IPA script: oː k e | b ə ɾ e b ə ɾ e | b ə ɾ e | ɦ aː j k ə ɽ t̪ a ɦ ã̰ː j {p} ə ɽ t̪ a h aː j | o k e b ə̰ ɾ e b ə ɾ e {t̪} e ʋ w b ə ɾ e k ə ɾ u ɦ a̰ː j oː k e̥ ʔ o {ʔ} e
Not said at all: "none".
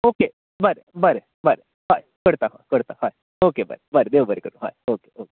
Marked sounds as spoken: k, d̪, k

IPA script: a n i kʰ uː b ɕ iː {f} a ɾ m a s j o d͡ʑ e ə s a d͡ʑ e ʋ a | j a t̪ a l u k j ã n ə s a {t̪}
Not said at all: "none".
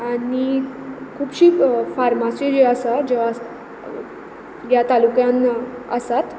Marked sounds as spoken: f, t̪

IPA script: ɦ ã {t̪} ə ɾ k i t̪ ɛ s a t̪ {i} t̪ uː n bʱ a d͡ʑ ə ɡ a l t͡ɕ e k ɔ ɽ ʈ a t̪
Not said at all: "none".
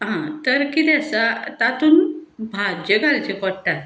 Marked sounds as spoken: t̪, a

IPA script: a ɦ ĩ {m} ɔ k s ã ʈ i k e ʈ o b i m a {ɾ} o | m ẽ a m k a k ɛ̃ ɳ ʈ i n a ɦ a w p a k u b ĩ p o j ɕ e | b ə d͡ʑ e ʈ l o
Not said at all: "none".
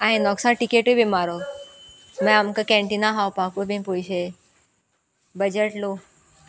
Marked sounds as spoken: n, ɾ

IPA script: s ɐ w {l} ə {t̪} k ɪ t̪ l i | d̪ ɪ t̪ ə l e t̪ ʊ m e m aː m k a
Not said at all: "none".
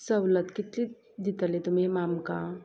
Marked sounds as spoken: l, t̪

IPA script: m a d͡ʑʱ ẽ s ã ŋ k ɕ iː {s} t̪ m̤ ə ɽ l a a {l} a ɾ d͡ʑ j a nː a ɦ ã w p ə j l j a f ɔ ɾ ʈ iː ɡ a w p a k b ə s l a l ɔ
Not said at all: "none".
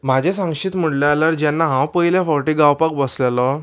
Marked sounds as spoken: none, l

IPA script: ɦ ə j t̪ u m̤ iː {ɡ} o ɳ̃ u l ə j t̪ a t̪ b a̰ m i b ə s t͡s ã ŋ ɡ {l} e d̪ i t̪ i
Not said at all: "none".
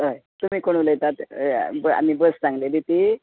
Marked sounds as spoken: k, l

